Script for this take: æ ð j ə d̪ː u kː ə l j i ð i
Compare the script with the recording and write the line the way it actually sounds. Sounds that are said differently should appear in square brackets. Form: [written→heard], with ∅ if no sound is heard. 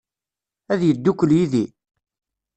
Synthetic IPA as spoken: æ ð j ə d̪ː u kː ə l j i ð i